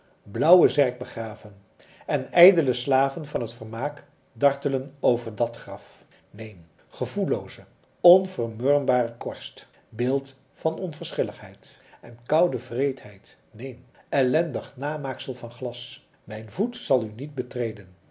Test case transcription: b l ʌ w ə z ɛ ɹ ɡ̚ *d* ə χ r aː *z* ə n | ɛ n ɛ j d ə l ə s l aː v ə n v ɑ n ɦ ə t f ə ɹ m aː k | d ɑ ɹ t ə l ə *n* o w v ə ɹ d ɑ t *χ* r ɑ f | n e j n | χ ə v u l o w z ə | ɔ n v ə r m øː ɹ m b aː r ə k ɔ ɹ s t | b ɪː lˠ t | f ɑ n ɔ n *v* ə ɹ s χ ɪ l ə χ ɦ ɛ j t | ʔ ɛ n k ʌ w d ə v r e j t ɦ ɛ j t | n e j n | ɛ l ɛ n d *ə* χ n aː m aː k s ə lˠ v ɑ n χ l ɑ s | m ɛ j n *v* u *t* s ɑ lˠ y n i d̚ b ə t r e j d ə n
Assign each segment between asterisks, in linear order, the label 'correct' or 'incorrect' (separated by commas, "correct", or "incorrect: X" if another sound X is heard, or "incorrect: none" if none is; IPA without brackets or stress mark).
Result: incorrect: b, incorrect: v, correct, correct, correct, correct, correct, correct